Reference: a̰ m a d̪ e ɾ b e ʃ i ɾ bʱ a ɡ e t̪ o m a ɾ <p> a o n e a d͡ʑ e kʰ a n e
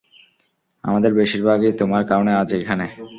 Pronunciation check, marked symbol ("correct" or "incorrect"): incorrect